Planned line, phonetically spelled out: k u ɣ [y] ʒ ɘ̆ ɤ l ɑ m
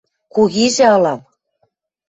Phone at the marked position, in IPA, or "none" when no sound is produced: i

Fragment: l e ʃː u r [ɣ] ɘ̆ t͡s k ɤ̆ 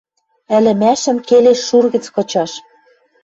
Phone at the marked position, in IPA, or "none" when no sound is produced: ɣ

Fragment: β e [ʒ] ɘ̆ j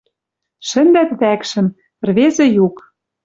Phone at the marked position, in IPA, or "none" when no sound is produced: z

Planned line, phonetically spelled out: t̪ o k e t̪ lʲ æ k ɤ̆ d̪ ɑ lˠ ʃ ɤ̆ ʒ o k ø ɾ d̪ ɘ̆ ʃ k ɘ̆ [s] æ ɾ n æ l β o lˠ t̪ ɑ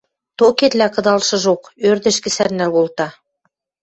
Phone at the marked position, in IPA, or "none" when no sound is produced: s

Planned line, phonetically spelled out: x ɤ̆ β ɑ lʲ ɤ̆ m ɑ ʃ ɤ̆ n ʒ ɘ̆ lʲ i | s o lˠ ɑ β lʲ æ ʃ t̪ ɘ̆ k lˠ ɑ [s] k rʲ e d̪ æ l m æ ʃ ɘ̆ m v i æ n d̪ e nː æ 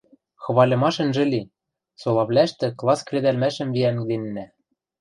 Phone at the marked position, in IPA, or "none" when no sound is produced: s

